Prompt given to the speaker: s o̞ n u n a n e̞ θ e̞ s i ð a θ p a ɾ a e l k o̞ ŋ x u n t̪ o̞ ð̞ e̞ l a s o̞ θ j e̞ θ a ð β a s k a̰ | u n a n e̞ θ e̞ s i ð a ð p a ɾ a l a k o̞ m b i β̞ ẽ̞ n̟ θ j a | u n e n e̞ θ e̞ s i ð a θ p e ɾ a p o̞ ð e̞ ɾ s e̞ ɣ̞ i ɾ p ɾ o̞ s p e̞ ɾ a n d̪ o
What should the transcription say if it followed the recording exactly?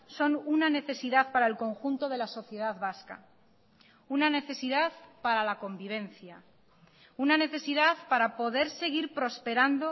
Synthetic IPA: s o̞ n u n a n e̞ θ e̞ s i ð a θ p a ɾ a e l k o̞ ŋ x u n t̪ o̞ ð̞ e̞ l a s o̞ θ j e̞ ð a ð β a s k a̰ | u n a n e̞ θ e̞ s i ð a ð p a ɾ a l a k o̞ m b i β̞ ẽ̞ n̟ θ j a | u n a n e̞ θ e̞ s i ð a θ p a ɾ a p o̞ ð e̞ ɾ s e̞ ɣ̞ i ɾ p ɾ o̞ s p e̞ ɾ a n d̪ o

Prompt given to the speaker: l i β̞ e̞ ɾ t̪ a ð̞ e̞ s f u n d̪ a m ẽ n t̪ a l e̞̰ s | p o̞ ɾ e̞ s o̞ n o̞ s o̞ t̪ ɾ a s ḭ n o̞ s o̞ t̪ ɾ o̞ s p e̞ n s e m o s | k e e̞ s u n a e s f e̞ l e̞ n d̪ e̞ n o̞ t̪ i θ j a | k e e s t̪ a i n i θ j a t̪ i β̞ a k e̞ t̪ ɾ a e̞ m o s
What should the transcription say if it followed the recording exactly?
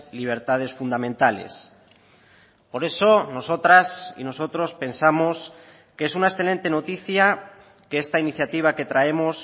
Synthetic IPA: l i β̞ e̞ ɾ t̪ a ð̞ e̞ s f u n d̪ a m ẽ n t̪ a l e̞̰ s | p o̞ ɾ e̞ s o̞ n o̞ s o̞ t̪ ɾ a s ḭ n o̞ s o̞ t̪ ɾ o̞ s p e̞ n s a m o s | k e e̞ s u n a e s θ e̞ l e̞ n t̪ e̞ n o̞ t̪ i θ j a | k e e s t̪ a i n i θ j a t̪ i β̞ a k e̞ t̪ ɾ a e̞ m o s

